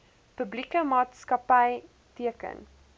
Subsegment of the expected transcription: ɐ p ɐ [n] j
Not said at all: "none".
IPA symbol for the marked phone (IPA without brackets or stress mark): none